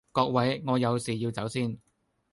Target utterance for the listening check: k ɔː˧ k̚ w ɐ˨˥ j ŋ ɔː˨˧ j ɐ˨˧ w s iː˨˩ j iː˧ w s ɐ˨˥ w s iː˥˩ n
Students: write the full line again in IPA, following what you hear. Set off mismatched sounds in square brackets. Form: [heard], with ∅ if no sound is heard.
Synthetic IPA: k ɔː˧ k̚ w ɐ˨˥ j ŋ ɔː˨˧ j ɐ˨˧ w s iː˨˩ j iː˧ w [t͡s] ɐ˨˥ w s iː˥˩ n